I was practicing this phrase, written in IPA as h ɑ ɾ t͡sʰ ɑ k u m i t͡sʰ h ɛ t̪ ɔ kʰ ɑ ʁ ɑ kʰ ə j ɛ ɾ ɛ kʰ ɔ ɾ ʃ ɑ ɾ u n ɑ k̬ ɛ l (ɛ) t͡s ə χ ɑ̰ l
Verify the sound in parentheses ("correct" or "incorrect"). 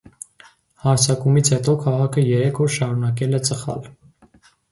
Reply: correct